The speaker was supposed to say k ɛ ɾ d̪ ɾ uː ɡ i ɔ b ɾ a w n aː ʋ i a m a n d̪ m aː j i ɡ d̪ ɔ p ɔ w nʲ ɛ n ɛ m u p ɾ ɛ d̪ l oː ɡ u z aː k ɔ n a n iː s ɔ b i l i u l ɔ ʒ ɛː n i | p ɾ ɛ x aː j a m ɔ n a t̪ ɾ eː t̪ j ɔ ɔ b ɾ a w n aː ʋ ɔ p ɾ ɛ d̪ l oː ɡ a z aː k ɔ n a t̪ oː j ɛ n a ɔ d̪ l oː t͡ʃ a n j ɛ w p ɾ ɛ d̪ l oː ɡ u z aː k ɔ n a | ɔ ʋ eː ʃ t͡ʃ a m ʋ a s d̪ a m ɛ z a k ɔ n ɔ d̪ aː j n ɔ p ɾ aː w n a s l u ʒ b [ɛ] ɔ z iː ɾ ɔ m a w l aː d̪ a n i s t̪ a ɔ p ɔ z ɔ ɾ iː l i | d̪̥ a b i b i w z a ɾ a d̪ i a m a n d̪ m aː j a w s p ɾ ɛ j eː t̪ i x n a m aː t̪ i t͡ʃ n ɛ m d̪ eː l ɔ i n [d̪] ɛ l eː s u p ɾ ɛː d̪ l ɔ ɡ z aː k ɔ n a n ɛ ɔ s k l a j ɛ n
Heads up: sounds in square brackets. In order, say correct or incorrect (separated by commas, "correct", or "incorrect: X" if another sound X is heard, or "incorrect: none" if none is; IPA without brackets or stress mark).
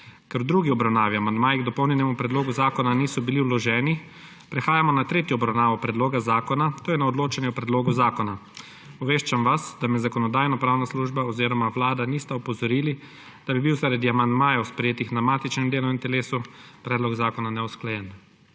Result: incorrect: a, incorrect: t̪